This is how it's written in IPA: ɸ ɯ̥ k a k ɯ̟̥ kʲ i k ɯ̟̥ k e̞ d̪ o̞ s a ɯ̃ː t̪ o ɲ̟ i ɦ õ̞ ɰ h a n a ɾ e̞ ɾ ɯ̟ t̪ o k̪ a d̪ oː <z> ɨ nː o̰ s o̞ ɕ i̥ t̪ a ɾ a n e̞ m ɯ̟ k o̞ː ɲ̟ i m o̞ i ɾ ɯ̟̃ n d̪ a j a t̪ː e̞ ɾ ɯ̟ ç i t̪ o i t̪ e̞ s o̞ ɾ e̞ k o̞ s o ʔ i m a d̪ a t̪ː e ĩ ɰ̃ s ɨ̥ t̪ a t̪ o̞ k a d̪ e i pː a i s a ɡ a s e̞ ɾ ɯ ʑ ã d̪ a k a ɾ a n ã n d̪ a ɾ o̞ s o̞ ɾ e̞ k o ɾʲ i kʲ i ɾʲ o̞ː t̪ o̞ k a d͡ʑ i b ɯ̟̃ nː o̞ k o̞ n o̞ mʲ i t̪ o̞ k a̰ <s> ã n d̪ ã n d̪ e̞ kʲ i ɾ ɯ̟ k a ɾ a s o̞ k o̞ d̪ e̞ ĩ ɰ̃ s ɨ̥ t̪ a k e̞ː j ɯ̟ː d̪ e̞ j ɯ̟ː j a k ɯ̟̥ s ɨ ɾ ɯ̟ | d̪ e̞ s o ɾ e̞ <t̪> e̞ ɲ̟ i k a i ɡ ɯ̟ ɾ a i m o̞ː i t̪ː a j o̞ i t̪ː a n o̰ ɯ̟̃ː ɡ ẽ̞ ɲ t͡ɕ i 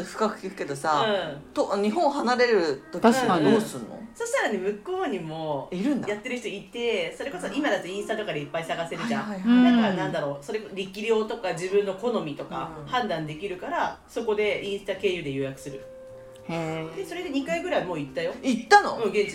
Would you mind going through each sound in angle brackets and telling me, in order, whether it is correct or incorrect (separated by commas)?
incorrect, incorrect, incorrect